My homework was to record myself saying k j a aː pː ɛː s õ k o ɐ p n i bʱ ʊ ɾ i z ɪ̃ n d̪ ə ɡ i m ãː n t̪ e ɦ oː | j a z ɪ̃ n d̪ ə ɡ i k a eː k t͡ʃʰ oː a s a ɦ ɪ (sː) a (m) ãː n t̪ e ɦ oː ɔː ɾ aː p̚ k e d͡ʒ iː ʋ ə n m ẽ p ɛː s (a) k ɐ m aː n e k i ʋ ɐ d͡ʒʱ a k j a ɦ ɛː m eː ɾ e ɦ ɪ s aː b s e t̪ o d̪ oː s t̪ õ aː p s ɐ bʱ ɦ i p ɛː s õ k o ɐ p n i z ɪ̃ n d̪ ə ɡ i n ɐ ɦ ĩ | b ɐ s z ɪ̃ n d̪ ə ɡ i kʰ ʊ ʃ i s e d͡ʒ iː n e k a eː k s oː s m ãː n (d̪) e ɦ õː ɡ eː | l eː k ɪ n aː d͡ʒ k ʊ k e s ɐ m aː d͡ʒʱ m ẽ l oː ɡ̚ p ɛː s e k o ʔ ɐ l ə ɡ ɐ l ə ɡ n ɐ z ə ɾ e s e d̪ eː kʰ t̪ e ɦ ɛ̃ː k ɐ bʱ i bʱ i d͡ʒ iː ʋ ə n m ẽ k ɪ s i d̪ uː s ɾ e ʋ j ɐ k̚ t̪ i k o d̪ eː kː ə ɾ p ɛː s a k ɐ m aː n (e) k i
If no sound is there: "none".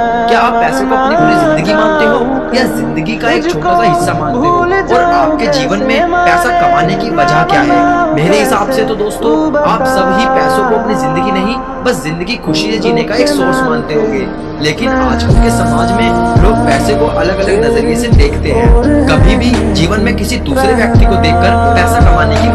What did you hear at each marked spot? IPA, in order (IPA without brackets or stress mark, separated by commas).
sː, m, a, t̪, e